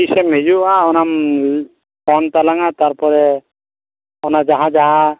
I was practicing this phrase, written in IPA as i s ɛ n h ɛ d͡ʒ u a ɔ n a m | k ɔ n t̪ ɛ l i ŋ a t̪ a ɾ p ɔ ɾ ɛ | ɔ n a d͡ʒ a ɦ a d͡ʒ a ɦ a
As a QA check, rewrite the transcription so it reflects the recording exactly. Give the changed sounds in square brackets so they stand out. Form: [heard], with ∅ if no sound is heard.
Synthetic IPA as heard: i s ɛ [m] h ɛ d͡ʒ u a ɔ n a m | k ɔ n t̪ [a] l [a] ŋ a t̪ a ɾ p ɔ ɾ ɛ | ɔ n a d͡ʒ a ɦ a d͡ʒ a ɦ a